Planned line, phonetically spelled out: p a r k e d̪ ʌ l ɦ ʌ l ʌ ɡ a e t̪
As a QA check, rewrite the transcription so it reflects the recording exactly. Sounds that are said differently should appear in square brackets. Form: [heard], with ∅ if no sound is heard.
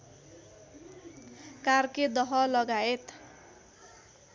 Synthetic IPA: [k] a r k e d̪ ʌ [∅] ɦ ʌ l ʌ ɡ a e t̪